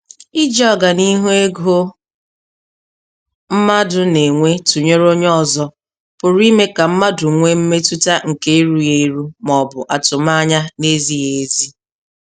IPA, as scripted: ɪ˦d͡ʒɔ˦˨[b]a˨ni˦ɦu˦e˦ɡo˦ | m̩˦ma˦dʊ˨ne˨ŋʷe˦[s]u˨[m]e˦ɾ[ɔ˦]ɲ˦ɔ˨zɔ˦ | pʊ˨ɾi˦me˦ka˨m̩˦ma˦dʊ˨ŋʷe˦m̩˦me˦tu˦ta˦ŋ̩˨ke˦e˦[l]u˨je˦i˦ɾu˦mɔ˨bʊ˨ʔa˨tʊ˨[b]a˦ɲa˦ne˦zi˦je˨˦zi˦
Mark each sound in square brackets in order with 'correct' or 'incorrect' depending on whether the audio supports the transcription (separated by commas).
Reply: incorrect, incorrect, incorrect, incorrect, incorrect, incorrect